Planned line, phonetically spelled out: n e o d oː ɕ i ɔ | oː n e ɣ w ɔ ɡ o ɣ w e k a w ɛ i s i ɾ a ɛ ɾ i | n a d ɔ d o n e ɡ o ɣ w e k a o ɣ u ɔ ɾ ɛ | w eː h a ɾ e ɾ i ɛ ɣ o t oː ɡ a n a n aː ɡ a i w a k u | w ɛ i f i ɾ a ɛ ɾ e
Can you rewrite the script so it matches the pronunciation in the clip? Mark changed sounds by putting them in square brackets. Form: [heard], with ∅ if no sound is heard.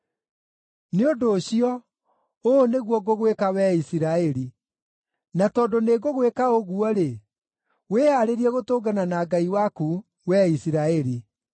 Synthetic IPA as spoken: n e o d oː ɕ i ɔ | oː n e ɣ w ɔ ɡ o ɣ w e k a w ɛ i s i ɾ a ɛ ɾ i | n a [t] ɔ d o n e ɡ o ɣ w e k a o ɣ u ɔ ɾ [e] | w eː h a ɾ e ɾ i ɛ ɣ o t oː ɡ a n a n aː ɡ a i w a k u | w ɛ i [s] i ɾ a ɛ ɾ [i]